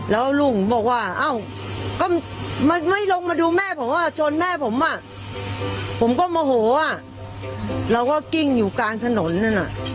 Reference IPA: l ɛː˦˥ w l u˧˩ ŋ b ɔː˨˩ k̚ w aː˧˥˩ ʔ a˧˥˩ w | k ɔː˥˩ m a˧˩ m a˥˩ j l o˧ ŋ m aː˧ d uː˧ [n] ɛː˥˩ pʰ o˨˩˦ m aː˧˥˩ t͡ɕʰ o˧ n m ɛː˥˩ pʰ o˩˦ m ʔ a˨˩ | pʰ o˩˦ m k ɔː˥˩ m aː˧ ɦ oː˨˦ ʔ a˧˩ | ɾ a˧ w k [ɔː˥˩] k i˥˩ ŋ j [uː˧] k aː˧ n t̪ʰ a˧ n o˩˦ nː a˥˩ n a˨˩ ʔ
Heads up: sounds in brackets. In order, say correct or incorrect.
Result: incorrect, correct, incorrect

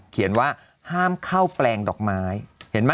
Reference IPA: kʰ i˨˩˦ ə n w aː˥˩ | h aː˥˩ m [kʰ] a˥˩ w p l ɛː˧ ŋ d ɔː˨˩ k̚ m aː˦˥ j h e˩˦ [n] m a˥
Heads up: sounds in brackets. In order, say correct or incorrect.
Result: correct, correct

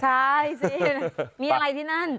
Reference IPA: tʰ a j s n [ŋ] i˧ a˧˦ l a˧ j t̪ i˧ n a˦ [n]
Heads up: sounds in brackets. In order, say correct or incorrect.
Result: incorrect, correct

